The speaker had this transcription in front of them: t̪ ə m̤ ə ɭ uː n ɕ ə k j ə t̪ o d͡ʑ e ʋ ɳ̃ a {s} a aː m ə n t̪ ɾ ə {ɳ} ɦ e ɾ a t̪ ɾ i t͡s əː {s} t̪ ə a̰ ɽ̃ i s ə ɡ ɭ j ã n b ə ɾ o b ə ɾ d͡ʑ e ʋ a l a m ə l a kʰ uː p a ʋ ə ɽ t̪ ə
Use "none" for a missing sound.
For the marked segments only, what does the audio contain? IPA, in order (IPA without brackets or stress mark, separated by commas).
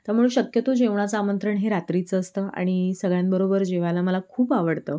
t͡s, ɳ, s